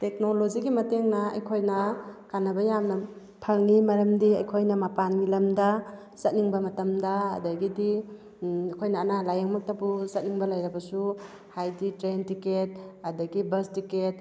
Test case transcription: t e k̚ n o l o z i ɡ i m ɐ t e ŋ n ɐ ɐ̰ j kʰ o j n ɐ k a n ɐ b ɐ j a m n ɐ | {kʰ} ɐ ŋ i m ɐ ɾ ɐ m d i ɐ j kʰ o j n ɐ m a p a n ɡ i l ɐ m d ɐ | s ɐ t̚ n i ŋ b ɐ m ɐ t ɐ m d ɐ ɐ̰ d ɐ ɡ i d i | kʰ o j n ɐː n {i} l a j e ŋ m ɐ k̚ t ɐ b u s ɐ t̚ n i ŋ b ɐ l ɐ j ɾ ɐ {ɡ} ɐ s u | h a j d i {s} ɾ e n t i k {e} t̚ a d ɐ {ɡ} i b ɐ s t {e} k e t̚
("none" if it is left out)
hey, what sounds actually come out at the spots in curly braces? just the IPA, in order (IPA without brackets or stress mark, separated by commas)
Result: pʰ, a, b, t, e, ɡ, i